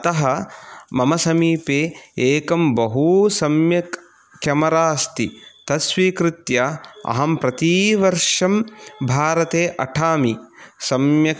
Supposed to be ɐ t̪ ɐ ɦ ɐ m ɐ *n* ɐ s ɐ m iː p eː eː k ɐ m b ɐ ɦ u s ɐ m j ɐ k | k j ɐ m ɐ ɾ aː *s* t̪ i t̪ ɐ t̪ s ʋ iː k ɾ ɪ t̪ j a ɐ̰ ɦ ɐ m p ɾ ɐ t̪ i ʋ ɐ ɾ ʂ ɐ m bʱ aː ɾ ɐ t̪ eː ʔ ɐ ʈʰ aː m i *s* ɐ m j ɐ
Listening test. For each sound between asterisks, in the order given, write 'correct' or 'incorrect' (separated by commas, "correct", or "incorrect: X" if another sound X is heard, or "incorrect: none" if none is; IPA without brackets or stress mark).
incorrect: m, correct, correct